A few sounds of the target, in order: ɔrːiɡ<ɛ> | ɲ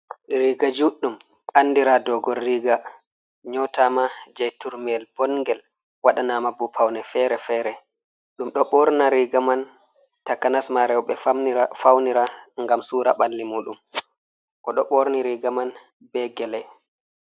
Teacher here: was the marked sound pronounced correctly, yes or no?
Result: no